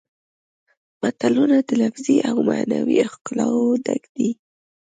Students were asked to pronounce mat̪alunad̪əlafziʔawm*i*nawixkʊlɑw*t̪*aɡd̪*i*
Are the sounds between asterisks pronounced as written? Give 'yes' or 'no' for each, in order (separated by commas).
no, no, yes